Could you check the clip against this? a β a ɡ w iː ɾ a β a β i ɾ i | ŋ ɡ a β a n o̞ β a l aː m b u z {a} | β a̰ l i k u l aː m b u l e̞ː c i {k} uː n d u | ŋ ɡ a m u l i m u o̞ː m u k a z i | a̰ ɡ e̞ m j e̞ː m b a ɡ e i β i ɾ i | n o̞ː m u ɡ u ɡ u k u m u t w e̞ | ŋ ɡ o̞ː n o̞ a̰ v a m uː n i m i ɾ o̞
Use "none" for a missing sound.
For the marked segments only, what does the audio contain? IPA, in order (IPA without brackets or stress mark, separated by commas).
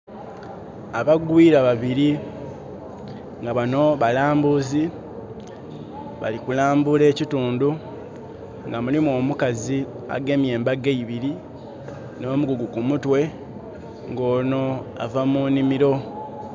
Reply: i, t